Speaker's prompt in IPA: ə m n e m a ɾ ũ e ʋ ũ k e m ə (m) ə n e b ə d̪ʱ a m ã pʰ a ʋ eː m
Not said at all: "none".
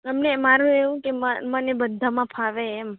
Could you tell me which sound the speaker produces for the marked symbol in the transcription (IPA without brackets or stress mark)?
m